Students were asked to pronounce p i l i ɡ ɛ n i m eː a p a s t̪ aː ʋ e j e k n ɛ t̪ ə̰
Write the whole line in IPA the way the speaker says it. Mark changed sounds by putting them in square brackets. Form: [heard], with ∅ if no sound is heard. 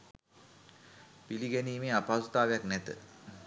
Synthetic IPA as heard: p i l i ɡ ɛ n [iː] m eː a p a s t̪ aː ʋ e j [a] k n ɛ t̪ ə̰